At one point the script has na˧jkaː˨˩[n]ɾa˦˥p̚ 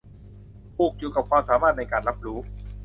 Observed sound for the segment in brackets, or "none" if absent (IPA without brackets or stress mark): n